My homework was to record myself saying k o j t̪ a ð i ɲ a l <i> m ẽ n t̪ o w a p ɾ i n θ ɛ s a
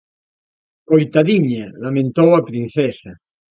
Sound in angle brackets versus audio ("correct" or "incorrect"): incorrect